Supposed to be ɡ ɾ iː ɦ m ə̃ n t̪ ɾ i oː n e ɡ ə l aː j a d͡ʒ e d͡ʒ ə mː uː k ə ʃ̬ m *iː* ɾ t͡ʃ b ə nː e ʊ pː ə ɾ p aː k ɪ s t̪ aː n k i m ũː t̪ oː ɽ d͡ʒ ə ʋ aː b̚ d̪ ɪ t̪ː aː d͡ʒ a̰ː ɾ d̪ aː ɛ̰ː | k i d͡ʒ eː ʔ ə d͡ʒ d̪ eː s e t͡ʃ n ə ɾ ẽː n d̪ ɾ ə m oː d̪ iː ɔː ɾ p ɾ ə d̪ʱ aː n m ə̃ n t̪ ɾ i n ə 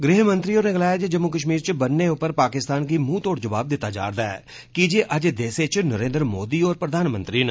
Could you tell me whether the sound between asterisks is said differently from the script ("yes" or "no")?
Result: no